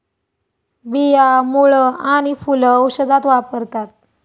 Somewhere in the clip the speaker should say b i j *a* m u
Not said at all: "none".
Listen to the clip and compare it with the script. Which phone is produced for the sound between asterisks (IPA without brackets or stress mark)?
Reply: a